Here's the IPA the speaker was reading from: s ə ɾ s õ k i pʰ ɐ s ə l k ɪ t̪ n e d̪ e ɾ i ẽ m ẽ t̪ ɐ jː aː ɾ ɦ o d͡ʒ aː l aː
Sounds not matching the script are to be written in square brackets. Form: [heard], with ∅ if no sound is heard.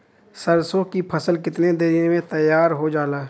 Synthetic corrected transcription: s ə ɾ s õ k i pʰ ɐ s ə l k ɪ t̪ n e d̪ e ɾ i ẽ m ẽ t̪ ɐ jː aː ɾ ɦ o d͡ʒ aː l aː